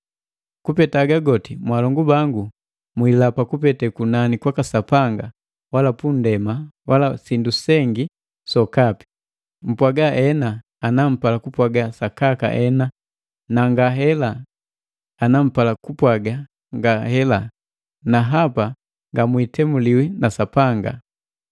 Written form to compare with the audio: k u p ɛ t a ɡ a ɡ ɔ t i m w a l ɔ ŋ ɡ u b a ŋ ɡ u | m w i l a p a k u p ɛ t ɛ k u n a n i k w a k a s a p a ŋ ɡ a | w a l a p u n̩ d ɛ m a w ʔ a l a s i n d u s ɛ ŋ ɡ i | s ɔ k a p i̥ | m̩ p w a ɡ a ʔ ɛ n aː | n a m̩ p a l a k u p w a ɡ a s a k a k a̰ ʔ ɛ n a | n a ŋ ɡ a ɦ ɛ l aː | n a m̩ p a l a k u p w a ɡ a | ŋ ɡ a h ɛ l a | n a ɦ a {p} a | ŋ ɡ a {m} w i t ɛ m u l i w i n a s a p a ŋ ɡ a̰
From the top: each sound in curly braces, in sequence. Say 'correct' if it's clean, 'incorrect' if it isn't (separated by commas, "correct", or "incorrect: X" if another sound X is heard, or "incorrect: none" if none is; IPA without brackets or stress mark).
correct, correct